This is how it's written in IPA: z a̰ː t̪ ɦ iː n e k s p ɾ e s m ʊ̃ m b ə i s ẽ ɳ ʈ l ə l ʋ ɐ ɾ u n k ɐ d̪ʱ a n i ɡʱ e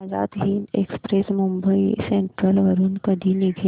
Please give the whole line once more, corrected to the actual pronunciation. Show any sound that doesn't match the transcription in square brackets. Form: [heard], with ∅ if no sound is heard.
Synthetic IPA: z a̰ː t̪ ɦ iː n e k s p ɾ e s m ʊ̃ m b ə i s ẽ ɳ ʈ [ɾ] ə l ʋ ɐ ɾ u n k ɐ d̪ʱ [i] n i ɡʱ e